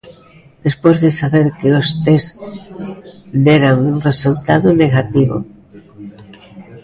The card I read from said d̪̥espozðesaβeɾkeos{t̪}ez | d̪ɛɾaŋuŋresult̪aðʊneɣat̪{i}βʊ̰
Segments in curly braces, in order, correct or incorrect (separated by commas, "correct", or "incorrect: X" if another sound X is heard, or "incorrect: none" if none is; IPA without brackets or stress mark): correct, correct